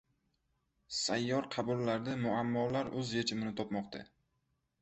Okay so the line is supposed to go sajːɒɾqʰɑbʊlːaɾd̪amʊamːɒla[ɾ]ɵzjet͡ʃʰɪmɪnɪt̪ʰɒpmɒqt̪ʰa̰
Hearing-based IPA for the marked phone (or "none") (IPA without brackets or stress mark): ɾ